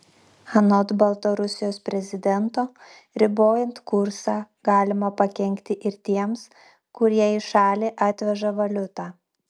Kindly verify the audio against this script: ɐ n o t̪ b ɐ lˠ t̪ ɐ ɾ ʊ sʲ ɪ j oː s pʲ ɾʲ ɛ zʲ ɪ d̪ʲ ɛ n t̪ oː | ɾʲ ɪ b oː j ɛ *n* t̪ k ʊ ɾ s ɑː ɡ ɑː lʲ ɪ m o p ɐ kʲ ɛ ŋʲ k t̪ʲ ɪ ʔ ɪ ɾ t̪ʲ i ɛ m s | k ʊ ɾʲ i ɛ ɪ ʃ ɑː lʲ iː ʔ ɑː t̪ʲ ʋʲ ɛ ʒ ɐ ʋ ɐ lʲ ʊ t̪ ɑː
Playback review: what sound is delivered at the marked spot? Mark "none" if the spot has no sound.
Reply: n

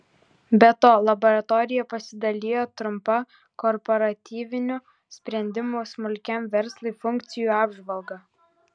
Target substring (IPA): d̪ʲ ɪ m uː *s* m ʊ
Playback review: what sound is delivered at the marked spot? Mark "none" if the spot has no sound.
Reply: s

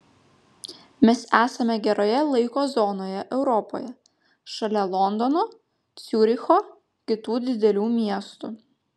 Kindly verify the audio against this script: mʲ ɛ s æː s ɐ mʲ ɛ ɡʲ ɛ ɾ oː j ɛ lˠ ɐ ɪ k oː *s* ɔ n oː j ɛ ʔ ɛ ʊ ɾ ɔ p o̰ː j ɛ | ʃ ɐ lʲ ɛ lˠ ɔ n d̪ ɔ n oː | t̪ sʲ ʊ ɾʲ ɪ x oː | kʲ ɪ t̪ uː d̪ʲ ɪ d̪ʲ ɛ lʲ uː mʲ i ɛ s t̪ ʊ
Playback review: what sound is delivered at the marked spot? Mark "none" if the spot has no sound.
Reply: z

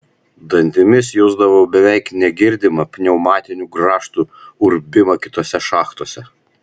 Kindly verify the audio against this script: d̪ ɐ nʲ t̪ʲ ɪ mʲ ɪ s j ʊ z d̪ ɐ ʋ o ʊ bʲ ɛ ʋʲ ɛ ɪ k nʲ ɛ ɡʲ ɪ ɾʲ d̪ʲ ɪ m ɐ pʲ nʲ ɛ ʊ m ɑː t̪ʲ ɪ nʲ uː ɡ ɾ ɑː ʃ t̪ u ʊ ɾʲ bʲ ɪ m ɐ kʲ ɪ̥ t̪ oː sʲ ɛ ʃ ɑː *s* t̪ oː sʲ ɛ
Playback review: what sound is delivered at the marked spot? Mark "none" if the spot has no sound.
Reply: x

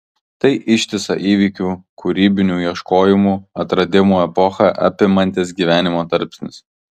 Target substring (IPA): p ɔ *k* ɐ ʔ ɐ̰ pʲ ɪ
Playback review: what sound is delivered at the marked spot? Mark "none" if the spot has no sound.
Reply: x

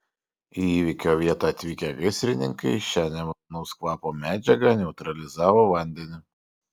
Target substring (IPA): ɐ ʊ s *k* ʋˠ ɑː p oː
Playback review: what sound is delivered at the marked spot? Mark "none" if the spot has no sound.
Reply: k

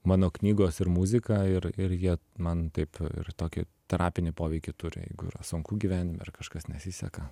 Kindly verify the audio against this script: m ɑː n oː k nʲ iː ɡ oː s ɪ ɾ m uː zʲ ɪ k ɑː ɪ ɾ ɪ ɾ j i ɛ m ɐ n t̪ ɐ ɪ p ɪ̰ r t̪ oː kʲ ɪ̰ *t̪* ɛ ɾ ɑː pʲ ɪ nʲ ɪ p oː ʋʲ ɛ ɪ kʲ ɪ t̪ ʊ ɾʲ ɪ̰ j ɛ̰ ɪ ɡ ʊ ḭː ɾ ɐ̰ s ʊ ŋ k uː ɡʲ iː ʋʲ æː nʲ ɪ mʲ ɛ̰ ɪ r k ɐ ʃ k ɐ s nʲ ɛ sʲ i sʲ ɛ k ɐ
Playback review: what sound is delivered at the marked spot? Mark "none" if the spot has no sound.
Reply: t̪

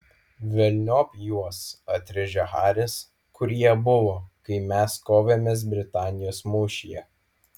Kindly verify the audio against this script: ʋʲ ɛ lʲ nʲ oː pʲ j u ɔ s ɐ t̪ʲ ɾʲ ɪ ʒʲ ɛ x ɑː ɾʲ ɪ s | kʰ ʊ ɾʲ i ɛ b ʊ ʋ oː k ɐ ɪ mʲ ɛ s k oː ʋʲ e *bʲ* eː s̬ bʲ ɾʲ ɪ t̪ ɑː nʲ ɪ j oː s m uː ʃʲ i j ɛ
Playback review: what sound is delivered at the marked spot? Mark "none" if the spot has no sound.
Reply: mʲ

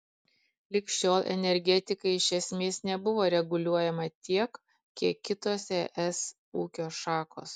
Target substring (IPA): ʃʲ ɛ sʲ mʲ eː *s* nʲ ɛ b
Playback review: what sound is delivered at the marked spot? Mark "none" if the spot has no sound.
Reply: s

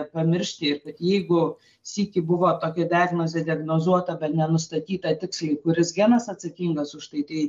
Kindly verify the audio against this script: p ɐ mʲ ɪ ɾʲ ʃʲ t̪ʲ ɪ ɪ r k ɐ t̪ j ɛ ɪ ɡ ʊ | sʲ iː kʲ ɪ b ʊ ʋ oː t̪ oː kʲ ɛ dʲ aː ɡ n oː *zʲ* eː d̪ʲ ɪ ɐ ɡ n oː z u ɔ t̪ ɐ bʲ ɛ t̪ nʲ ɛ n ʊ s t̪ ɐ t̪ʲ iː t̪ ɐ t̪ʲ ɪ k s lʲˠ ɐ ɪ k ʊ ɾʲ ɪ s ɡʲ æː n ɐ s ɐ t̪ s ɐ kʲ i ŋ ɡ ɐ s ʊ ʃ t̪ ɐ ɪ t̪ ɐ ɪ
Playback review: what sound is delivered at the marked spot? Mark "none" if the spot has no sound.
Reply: zʲ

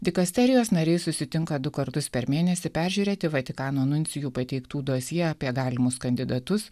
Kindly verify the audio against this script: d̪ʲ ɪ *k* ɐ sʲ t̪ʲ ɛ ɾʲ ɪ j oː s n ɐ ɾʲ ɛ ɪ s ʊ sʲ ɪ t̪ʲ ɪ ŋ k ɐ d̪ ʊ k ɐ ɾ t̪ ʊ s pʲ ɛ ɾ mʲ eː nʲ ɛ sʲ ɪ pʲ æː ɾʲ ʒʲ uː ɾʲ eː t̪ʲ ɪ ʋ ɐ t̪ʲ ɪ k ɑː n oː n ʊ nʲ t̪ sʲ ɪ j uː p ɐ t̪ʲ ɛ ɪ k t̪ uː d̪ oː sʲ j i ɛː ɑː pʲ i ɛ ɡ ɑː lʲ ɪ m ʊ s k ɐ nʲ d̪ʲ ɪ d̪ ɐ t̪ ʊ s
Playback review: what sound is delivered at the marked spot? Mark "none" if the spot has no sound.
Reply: k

